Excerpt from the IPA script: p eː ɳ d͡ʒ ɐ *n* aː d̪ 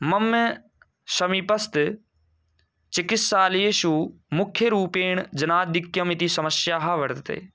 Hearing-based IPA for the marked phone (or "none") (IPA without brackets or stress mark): n